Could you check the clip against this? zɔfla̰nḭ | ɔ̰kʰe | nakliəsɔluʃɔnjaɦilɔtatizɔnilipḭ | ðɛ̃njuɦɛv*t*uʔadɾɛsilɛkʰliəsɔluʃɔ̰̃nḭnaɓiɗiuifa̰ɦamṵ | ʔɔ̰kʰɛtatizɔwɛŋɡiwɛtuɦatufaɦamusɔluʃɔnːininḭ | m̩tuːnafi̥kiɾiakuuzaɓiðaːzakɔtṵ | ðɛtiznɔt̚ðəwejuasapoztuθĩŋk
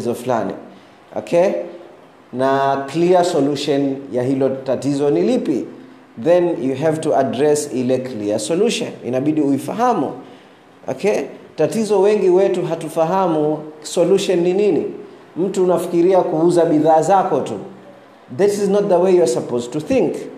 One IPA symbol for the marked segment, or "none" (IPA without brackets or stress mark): t